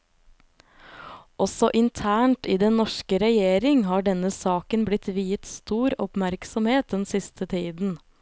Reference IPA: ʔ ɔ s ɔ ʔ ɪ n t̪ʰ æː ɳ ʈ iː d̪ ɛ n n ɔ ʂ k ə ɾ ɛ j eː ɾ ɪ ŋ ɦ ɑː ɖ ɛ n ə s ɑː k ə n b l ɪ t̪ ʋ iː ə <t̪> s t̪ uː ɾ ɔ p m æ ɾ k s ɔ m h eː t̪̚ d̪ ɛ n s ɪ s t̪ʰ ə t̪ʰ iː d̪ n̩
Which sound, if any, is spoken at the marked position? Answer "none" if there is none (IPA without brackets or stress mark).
t̪